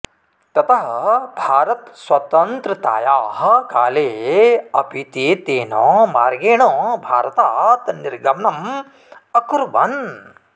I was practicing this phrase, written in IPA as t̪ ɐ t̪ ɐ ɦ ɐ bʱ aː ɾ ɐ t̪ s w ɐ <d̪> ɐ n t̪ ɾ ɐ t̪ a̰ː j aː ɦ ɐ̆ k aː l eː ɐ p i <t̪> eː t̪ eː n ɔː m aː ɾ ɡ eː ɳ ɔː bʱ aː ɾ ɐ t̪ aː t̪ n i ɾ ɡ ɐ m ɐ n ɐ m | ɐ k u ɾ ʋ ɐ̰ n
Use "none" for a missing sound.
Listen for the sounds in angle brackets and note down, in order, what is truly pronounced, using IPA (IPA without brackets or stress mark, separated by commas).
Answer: t̪, t̪